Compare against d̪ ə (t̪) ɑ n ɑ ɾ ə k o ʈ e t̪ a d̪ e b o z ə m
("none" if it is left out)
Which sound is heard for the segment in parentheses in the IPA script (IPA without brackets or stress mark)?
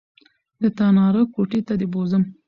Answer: t̪